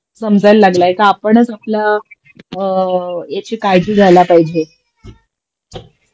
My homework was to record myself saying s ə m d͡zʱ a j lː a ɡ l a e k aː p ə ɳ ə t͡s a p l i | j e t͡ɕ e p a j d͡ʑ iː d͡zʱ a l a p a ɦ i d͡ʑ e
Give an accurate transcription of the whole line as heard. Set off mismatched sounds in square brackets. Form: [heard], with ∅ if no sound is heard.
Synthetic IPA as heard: s ə m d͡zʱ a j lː a ɡ l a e k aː p ə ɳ ə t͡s a p l [a] | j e t͡ɕ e [k] a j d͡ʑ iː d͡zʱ a l a p a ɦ i d͡ʑ e